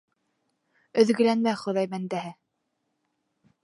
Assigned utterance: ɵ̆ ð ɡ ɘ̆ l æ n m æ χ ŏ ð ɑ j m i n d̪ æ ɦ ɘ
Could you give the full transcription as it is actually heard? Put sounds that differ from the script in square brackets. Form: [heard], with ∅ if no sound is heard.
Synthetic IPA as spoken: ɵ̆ ð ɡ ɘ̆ l æ n m æ χ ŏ ð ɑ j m [æ] n d̪ æ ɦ ɘ